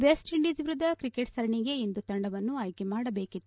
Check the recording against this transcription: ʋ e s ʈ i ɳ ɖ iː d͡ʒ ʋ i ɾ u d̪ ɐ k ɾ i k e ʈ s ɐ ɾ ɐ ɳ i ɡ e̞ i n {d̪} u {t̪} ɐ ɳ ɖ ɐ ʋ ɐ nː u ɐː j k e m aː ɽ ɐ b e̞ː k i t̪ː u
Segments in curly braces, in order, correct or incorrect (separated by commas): correct, correct